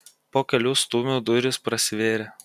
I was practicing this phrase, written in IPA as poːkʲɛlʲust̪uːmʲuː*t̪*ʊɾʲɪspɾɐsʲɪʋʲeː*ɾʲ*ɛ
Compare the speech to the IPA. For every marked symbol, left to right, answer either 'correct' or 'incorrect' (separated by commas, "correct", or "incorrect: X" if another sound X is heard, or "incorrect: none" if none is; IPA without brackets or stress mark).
incorrect: d̪, correct